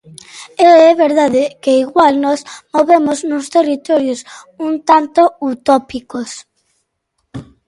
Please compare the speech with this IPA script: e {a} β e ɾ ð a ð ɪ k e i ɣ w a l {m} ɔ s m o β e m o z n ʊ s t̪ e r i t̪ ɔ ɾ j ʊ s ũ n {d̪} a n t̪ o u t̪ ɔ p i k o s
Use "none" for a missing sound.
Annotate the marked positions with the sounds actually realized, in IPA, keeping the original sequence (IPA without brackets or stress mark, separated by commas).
ɛ, n, t̪